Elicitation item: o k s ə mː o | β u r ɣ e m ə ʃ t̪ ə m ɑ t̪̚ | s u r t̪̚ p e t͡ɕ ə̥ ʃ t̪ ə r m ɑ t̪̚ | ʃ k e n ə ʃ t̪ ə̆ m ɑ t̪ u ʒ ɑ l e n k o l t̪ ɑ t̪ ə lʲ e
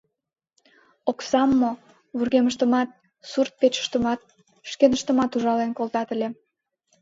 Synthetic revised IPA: o k s ɑ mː o | β u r ɣ e m ə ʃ t̪ ə m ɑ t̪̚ | s u r t̪̚ p e t͡ɕ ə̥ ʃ t̪ ə m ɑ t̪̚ | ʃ k e n ə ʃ t̪ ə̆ m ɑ t̪ u ʒ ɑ l e n k o l t̪ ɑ t̪ ə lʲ e